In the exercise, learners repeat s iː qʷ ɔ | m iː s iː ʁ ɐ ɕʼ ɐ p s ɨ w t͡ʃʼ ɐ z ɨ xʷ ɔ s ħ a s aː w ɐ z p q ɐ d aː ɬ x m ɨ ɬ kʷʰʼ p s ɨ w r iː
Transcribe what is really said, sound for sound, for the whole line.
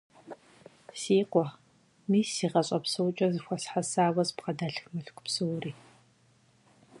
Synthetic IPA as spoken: s iː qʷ ɔ | m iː s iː ʁ ɐ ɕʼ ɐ p s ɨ w t͡ʃʼ ɐ z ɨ xʷ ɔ s ħ a s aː w ɐ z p q ɐ d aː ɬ x m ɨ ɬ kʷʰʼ p s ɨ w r iː